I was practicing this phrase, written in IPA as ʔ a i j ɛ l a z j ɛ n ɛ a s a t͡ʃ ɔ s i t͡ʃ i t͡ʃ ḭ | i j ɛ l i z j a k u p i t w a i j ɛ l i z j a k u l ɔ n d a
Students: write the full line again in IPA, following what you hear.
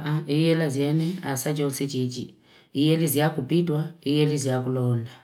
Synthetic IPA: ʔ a i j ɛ l a z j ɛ n ɛ a s a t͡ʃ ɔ s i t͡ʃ i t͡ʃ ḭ | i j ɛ l i z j a k u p i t w a i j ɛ l i z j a k u l ɔ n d a